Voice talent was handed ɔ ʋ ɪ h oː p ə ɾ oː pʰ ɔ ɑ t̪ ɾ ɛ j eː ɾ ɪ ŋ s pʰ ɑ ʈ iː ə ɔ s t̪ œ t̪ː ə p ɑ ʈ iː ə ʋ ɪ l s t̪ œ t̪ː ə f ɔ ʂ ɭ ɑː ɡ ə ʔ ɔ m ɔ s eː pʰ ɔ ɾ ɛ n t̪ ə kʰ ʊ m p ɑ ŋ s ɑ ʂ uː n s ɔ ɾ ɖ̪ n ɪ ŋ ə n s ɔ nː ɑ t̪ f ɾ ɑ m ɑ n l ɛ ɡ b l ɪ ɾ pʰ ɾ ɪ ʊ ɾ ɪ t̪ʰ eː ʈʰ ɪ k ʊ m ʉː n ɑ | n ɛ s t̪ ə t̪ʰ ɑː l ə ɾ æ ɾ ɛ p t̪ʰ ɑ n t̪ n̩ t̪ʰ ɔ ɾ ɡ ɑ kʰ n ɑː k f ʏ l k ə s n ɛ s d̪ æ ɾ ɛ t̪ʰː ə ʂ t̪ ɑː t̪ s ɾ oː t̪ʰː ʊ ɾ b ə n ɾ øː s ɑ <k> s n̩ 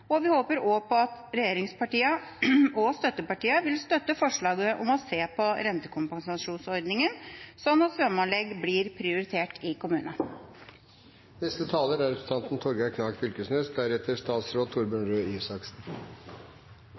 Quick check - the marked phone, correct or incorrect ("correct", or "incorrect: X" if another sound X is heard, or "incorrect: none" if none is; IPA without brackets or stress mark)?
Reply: correct